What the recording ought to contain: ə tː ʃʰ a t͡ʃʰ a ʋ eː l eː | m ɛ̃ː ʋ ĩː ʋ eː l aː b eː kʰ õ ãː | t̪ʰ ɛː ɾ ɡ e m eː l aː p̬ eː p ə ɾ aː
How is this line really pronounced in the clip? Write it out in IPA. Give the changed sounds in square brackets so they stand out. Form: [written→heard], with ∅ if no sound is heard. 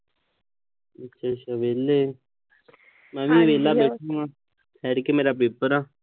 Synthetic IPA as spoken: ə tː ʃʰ a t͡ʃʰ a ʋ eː l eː | m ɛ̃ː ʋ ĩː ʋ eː l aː b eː [kʰ→ʈʰ] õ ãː | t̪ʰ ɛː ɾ [ɡ→k] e m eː [l→ɾ] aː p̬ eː p ə ɾ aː